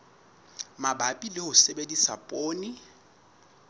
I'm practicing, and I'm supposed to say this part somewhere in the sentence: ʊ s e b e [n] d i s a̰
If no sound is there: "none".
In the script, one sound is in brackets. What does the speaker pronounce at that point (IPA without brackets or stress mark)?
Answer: none